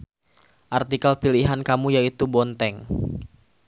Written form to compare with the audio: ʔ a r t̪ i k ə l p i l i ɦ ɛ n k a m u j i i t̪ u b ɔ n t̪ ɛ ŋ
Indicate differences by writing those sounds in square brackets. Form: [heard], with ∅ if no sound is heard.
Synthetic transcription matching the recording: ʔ a r t̪ i k [a] l p i l i ɦ [a] n k a m u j [a] i t̪ u b ɔ n t̪ ɛ ŋ